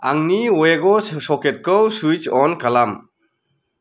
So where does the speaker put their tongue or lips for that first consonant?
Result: velum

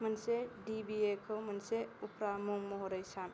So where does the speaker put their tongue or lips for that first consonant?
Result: lips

